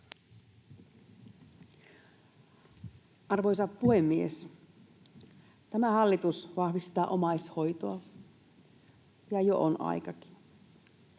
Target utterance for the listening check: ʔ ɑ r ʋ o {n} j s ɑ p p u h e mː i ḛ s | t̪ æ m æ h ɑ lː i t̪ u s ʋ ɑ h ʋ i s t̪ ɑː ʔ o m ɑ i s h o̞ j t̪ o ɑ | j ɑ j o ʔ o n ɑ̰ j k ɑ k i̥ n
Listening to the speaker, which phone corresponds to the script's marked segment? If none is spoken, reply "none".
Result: none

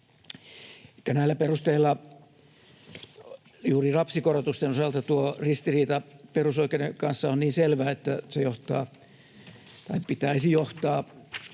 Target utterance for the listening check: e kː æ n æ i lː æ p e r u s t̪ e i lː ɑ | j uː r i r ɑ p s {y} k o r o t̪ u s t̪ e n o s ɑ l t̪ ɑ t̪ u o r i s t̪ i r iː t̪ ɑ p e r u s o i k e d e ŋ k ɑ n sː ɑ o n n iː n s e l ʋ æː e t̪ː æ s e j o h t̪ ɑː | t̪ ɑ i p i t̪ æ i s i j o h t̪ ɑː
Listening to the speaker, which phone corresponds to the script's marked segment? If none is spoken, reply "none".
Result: i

